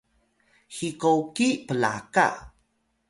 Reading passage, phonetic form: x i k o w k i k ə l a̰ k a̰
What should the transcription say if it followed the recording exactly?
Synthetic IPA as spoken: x i k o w k i p ə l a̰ k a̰